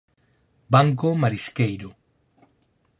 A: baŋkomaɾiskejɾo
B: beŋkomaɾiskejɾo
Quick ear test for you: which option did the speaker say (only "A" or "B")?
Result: A